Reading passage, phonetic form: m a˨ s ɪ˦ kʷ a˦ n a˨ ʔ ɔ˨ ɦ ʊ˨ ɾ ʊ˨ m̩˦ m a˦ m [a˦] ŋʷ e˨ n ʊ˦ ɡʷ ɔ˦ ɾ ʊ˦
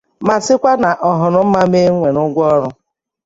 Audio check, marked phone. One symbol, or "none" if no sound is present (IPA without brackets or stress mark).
e˦